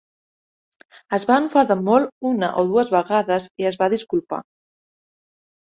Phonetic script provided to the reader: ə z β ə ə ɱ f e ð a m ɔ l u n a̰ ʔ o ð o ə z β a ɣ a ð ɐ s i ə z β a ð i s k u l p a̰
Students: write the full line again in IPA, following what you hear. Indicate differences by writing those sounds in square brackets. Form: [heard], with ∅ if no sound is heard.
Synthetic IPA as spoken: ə z β [a] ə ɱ f [a] ð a m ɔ l u n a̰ ʔ o ð [u] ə z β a ɣ a ð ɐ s i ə z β a ð i s k u l p a̰

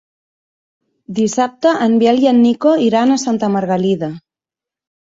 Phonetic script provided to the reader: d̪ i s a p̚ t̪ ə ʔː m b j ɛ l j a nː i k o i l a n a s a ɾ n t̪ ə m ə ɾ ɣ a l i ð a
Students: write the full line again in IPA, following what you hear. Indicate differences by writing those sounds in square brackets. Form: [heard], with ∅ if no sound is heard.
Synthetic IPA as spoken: d̪ i s a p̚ t̪ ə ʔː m b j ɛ l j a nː i k o i [ɾ] a n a s a [∅] n t̪ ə m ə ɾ ɣ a l i ð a

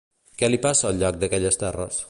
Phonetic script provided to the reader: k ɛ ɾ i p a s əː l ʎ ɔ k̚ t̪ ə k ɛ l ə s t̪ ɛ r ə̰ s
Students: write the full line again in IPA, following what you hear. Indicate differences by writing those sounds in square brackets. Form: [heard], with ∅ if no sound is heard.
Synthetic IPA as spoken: k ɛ [l] i p a s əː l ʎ ɔ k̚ [d̪] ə k ɛ [ʎ] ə s t̪ ɛ r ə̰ s

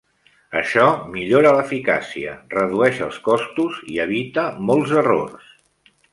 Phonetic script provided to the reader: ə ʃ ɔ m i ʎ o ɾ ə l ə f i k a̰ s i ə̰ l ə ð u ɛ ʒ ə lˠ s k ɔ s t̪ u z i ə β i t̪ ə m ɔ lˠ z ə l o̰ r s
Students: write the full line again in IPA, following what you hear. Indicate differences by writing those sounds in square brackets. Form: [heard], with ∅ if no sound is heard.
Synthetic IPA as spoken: ə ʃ ɔ m i ʎ o ɾ ə l ə f i k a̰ s i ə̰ [r] ə ð u ɛ [ʃ] ə lˠ s k ɔ s t̪ u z i ə β i t̪ ə m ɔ lˠ z ə [r] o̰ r s

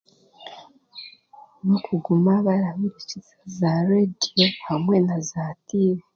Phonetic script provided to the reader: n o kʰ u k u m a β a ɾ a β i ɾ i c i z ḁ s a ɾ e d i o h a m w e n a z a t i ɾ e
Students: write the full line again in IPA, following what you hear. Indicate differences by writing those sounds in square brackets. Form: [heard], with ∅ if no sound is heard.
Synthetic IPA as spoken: n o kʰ u [ɡ] u m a β a ɾ a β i ɾ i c i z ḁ [z] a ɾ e d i o h a m w e n a z a t i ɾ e

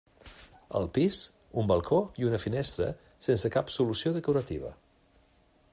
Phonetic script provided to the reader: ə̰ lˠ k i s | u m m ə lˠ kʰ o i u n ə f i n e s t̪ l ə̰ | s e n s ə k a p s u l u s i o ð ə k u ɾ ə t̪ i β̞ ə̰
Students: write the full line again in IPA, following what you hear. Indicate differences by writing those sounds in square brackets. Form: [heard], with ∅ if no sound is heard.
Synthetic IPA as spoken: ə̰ lˠ [p] i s | u m [b] ə lˠ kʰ o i u n ə f i n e s t̪ [ɾ] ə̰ | s e n s ə k a p s u l u s i o ð ə k u ɾ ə t̪ i β̞ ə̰

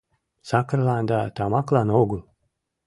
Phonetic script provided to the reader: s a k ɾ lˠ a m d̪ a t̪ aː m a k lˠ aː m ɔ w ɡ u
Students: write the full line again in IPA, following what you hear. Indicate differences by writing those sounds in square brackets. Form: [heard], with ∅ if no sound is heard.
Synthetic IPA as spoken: s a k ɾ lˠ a [n] d̪ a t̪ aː m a k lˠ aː [n] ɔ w ɡ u

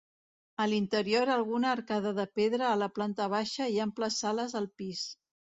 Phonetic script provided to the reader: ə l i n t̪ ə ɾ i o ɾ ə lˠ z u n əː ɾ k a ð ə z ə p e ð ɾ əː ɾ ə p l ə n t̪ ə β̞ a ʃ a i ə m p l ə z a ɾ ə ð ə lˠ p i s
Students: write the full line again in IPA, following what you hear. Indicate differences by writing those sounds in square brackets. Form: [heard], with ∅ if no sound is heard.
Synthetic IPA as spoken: ə l i n t̪ ə ɾ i o ɾ ə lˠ [ɣ] u n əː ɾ k a ð ə [ð] ə p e ð ɾ əː [l] ə p l [a] n t̪ ə β̞ a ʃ [ə] i ə m p l ə [s] a [l] ə [z] ə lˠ p i s

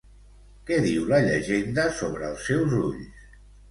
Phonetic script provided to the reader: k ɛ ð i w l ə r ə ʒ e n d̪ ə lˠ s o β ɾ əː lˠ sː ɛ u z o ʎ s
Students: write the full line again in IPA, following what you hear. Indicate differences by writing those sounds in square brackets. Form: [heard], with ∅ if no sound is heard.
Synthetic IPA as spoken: k ɛ ð i w l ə [ʎ] ə ʒ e n d̪ ə [∅] s o β ɾ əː lˠ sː ɛ [w] z [u] ʎ s

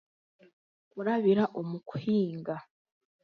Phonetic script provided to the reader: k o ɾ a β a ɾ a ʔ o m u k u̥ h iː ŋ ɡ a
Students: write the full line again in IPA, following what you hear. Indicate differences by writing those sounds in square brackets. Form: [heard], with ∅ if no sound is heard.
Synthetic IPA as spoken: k [u] ɾ a β [i] ɾ a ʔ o m u k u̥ h iː ŋ ɡ a

